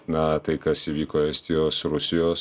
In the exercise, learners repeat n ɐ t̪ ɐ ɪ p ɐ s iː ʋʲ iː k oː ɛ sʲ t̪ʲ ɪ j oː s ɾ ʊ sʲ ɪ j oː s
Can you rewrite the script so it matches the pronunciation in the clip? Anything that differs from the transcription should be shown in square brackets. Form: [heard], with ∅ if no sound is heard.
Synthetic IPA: n ɐ t̪ ɐ ɪ [k] ɐ s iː ʋʲ iː k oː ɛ sʲ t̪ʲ ɪ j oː s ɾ ʊ sʲ ɪ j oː s

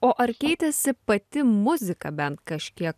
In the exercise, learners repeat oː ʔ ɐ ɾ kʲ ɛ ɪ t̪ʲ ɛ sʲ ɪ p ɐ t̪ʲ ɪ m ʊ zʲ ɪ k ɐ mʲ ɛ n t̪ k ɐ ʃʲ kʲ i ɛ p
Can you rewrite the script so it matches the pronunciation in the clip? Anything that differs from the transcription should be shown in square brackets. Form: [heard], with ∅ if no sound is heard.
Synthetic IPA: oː ʔ ɐ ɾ kʲ ɛ ɪ t̪ʲ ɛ sʲ ɪ p ɐ t̪ʲ ɪ m ʊ zʲ ɪ k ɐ [bʲ] ɛ n t̪ k ɐ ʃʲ kʲ i ɛ [k]

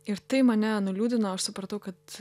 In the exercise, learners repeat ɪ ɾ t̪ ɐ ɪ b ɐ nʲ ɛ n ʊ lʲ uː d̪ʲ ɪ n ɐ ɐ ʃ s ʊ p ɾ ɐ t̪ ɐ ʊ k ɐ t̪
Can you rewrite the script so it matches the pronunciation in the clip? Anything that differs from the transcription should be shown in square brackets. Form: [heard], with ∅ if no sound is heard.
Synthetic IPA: ɪ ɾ t̪ ɐ ɪ [m] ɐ nʲ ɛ n ʊ lʲ uː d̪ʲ ɪ n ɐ ɐ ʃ s ʊ p ɾ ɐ t̪ ɐ ʊ k ɐ t̪

